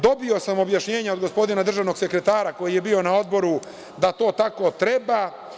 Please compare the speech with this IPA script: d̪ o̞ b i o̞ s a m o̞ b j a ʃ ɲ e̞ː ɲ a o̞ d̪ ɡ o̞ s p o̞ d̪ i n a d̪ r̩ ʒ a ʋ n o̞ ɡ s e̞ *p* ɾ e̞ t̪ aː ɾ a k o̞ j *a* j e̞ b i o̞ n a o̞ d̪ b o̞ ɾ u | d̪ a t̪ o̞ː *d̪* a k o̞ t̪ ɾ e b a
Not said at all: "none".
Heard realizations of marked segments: k, i, t̪

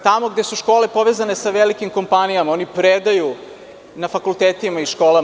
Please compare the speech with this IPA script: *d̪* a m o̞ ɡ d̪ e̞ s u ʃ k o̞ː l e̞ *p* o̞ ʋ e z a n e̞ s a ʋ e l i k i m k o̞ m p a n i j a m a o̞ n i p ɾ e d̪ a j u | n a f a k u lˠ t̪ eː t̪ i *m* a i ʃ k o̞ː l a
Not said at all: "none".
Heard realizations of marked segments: t̪, p, m

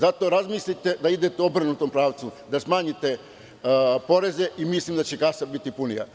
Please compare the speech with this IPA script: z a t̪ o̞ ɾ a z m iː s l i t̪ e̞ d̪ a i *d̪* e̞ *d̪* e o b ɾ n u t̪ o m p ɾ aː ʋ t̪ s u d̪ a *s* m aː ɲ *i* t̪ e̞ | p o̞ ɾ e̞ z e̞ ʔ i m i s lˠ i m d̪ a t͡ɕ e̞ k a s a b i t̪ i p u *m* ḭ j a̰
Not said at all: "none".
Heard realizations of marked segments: d̪, t̪, s, i, n

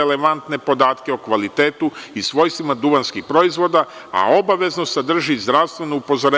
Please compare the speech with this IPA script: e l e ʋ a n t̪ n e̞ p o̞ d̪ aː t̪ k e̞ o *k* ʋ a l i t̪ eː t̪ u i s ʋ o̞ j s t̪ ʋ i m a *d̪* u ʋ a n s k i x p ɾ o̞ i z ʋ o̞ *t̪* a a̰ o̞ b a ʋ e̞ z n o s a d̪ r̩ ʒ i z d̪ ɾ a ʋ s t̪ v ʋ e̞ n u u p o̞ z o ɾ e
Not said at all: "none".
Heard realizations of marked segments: k, d̪, d̪

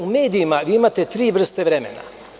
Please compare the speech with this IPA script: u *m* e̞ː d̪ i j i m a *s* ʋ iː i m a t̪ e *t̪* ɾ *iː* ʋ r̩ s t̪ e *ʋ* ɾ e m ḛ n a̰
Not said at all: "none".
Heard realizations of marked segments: m, none, t̪, iː, ʋ

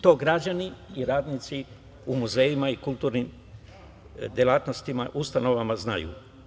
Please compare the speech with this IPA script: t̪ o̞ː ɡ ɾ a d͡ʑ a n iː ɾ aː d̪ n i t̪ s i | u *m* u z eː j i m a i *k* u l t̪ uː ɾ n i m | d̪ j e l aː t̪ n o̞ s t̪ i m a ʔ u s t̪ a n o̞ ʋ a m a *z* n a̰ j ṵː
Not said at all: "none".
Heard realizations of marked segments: m, k, z

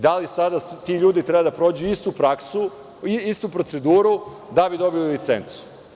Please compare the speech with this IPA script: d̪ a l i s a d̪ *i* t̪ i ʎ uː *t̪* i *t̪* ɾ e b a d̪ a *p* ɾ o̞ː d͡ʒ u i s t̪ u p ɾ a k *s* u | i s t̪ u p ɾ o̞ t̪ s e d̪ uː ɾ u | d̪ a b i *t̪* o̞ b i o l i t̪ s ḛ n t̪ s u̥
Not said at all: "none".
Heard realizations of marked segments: a, d̪, t̪, p, s, d̪

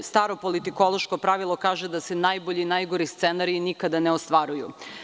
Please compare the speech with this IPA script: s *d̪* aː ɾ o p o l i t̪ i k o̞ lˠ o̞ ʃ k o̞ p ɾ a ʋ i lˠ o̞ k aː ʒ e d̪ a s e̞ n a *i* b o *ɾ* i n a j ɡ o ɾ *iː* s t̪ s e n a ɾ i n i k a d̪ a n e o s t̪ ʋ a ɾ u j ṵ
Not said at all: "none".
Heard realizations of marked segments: t̪, j, ʎ, i

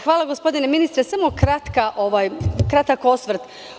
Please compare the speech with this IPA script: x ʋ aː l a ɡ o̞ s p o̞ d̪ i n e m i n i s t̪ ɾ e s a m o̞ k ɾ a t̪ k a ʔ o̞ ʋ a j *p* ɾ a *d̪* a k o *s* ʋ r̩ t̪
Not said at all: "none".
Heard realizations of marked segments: k, t̪, s

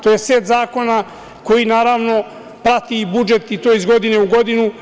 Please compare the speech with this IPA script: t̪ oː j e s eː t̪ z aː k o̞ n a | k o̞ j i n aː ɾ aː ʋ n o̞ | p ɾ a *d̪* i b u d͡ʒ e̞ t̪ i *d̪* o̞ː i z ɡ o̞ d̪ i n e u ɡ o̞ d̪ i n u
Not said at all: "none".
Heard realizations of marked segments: t̪, t̪

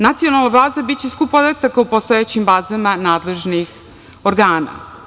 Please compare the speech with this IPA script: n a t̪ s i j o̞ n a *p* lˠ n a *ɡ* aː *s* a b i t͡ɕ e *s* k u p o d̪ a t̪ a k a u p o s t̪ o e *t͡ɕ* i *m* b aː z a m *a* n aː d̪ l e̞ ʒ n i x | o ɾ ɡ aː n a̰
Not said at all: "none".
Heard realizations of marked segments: none, b, z, s, t͡ɕ, m, a

